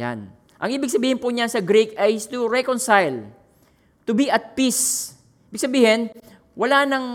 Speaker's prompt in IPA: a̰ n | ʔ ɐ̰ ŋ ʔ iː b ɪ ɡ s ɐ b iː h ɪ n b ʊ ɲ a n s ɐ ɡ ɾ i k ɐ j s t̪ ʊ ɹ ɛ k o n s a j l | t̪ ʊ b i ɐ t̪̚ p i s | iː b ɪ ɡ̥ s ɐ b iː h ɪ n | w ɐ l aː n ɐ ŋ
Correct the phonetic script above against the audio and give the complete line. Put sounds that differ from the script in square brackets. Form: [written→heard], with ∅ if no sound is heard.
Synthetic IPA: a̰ n | ʔ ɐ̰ ŋ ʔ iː b ɪ ɡ s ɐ b iː h ɪ n [b→p] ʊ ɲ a n s ɐ ɡ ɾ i k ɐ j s t̪ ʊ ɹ ɛ k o n s a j l | t̪ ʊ b i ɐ t̪̚ p i s | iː b ɪ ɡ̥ s ɐ b iː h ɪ n | w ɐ l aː n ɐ ŋ